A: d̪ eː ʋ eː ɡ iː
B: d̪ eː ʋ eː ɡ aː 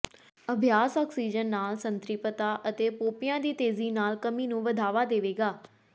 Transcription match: B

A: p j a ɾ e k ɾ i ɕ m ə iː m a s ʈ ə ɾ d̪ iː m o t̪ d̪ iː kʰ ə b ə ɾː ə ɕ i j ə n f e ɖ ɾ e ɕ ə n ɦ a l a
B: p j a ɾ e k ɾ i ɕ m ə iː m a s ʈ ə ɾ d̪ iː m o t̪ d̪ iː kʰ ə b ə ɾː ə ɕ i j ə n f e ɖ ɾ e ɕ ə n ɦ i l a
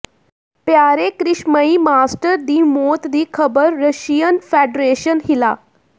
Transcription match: B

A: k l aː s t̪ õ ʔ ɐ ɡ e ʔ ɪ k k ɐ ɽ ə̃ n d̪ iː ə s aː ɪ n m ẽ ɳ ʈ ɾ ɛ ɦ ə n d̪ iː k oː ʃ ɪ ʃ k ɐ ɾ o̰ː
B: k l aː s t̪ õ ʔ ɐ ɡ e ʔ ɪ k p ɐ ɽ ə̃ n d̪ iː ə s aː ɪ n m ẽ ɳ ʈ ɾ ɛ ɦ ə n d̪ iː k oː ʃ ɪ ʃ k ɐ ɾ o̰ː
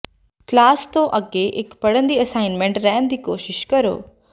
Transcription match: B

